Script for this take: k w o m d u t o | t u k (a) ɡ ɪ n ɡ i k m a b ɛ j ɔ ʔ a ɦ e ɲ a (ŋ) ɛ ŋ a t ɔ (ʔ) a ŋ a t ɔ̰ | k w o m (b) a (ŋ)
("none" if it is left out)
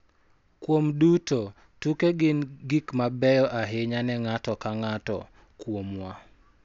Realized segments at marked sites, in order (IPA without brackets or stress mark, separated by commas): e, n, k, w, none